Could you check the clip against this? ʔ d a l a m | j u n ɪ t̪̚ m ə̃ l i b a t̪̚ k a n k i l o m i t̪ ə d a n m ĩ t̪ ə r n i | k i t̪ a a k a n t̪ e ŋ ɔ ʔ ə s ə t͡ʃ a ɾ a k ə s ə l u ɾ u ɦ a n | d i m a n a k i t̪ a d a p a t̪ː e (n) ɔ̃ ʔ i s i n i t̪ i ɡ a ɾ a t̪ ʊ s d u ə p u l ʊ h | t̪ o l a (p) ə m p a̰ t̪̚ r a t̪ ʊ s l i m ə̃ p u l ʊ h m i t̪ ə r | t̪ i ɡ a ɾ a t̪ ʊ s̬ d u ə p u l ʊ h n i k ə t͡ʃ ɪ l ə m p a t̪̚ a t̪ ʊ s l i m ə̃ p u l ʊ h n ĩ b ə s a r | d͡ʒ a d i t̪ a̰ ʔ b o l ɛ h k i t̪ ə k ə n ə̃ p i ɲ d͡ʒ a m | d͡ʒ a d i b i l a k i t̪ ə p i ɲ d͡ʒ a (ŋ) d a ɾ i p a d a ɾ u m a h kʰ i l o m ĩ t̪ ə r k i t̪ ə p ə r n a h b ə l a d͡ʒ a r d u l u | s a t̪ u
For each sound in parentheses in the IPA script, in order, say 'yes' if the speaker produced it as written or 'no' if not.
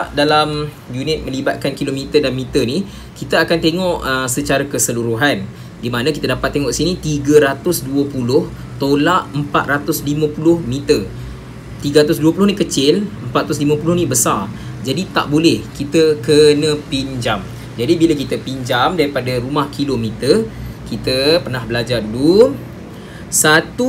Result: no, no, no

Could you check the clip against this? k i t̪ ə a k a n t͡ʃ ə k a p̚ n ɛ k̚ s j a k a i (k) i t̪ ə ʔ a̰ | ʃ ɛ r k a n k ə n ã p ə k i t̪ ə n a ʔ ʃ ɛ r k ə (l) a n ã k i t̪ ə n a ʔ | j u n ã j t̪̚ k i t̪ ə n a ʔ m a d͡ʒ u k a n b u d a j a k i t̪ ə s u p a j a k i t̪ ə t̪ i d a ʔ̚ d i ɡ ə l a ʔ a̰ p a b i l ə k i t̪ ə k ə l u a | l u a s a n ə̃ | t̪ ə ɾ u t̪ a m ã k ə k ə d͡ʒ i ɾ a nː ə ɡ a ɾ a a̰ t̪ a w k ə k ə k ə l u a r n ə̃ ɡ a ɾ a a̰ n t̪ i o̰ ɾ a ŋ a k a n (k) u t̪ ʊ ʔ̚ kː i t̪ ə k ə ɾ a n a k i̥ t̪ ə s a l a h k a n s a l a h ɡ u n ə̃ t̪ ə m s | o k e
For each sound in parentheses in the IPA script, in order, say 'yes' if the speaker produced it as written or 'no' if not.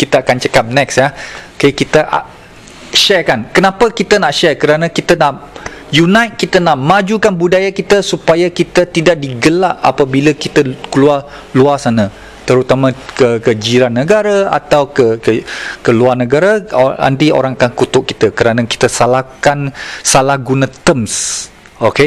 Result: yes, no, yes

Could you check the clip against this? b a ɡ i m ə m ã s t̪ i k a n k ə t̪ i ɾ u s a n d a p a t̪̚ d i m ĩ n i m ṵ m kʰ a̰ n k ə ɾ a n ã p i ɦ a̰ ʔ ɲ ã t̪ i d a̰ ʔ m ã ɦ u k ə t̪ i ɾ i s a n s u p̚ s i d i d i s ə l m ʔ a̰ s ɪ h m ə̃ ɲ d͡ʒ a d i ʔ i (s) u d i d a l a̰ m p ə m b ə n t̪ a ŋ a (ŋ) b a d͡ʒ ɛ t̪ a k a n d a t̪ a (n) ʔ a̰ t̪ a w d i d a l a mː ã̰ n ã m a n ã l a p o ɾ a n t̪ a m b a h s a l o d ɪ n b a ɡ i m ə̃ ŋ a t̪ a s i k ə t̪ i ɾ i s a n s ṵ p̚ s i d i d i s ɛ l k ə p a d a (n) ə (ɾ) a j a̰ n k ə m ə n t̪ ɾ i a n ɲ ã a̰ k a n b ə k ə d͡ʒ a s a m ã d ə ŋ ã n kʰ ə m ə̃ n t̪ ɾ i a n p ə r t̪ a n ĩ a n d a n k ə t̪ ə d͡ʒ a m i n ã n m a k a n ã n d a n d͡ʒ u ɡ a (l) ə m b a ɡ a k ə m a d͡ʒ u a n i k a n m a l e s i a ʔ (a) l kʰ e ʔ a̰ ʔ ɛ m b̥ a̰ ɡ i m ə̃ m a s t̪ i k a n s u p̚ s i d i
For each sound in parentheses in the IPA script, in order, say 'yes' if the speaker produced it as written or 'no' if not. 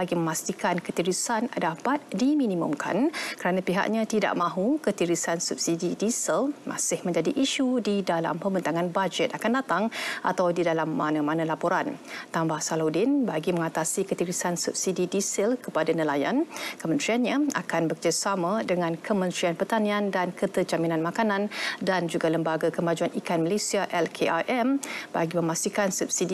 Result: no, no, no, yes, no, yes, no

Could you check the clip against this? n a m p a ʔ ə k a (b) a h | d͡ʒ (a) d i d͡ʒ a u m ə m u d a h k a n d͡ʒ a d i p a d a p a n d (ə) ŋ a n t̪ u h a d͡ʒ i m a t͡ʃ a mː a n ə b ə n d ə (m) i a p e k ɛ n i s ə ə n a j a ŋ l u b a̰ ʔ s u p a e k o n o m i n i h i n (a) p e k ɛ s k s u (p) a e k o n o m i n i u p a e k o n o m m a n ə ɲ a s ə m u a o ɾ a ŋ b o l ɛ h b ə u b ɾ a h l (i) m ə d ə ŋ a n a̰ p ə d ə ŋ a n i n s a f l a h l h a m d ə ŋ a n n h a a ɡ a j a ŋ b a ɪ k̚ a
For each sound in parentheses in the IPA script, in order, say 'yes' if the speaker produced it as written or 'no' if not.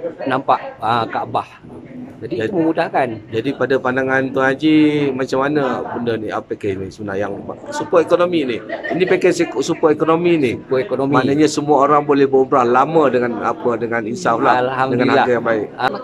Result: yes, yes, no, no, no, yes, no

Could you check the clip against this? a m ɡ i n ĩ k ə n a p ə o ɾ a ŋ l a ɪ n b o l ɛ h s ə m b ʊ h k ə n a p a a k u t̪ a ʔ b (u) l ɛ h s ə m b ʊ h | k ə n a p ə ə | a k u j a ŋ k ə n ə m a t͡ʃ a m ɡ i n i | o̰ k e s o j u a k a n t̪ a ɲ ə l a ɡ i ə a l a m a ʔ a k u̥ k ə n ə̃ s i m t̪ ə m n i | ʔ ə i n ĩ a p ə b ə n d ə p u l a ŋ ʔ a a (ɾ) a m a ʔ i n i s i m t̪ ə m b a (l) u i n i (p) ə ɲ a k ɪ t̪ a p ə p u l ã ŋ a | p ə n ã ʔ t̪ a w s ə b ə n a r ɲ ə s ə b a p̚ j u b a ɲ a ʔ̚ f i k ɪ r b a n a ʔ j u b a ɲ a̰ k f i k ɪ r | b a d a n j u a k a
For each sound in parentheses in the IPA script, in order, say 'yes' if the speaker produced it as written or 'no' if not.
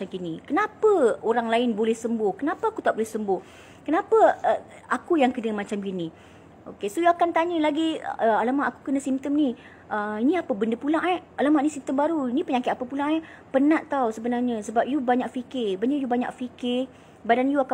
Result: no, no, no, yes

